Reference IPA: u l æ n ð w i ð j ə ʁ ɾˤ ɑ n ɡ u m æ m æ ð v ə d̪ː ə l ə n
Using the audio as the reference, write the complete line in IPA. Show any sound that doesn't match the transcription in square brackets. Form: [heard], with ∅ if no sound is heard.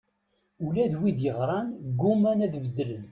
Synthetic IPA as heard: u l æ [∅] ð w i ð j ə ʁ ɾˤ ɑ n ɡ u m æ [n] æ ð v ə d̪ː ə l ə n